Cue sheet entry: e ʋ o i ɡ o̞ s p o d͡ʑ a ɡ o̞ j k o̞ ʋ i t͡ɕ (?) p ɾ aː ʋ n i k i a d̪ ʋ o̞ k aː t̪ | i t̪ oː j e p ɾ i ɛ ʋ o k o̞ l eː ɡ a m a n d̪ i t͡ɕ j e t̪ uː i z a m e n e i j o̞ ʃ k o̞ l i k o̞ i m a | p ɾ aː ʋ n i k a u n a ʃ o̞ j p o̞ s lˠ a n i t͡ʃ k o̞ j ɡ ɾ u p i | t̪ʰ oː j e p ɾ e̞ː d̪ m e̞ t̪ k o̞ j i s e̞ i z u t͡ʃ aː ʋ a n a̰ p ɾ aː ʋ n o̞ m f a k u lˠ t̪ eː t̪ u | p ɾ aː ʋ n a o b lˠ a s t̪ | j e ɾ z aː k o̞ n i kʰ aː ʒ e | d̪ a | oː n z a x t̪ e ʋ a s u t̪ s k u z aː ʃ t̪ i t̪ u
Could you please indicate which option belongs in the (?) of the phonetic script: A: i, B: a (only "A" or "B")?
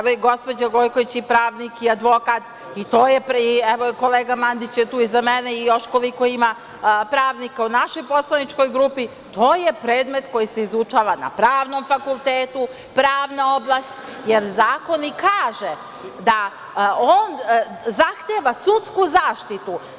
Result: A